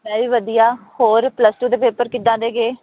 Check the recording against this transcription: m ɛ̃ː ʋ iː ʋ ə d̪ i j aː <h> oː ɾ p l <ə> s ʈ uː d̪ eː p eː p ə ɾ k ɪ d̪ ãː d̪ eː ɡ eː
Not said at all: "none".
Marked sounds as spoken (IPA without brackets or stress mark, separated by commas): h, ə